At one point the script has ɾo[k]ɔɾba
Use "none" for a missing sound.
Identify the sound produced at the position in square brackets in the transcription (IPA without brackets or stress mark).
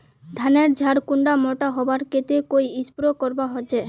k